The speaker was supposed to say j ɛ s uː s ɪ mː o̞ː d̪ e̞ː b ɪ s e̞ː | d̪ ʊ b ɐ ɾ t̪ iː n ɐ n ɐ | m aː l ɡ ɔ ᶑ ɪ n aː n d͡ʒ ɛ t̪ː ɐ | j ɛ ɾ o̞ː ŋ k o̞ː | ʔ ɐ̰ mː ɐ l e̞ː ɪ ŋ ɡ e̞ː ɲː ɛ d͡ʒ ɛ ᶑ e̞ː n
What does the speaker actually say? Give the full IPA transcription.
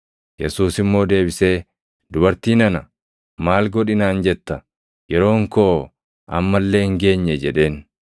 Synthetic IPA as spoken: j ɛ s uː s ɪ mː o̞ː d̪ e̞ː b ɪ s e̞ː | d̪ ʊ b ɐ ɾ t̪ iː n ɐ n ɐ | m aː l ɡ ɔ ᶑ ɪ n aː n d͡ʒ ɛ t̪ː ɐ | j ɛ ɾ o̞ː ŋ k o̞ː | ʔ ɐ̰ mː ɐ lː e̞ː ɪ ŋ ɡ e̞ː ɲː ɛ d͡ʒ ɛ ᶑ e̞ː n